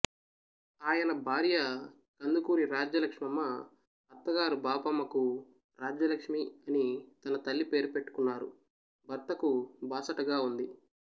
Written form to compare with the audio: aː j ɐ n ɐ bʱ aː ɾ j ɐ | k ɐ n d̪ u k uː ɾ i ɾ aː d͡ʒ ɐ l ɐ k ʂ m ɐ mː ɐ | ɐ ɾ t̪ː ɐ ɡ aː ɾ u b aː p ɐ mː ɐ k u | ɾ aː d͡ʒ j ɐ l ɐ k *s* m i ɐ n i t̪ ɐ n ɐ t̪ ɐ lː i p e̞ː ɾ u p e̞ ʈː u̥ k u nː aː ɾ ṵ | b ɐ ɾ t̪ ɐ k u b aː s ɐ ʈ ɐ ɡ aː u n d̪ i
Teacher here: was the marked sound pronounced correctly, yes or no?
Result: no